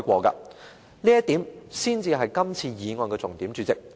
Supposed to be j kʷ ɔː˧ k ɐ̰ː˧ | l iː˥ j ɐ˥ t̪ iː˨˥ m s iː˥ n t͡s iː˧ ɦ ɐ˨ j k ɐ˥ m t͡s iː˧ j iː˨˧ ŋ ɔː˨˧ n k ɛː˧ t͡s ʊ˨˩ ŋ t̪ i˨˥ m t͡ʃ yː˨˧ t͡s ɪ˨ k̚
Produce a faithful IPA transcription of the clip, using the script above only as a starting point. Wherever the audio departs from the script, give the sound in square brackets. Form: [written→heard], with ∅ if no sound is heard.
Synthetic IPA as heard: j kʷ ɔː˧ k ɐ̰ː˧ | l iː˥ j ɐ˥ t̪ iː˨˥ m s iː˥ n t͡s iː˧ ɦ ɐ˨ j k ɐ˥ m [t͡s→t͡sʰ] iː˧ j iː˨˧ ŋ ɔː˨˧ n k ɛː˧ t͡s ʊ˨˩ ŋ t̪ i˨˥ m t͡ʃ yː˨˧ t͡s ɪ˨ k̚